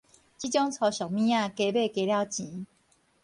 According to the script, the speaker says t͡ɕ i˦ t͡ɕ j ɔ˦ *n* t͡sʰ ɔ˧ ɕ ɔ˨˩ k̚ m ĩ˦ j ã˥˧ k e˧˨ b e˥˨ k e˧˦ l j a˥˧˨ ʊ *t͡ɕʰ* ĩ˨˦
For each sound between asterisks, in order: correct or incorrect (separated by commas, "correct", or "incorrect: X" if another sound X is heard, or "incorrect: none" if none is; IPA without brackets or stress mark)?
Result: incorrect: ŋ, incorrect: t͡ɕ